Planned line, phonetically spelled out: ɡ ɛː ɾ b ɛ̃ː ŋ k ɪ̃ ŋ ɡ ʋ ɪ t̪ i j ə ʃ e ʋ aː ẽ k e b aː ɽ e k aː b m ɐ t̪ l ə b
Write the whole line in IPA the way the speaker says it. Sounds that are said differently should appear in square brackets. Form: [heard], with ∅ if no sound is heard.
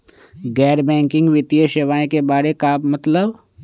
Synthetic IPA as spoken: ɡ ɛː ɾ b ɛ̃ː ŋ k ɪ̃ ŋ ɡ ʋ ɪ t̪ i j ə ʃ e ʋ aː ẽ k e b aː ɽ e k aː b m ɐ t̪ l ə b